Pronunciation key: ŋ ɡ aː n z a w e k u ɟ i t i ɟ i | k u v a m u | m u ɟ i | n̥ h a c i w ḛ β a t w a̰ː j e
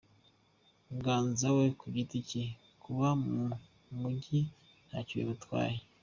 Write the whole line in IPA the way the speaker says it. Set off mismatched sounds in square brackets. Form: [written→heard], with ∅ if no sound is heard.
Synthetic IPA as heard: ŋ ɡ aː n z a w e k u ɟ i t i [ɟ→c] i | k u [v→β] a m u | m u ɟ i | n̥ h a c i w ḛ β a t w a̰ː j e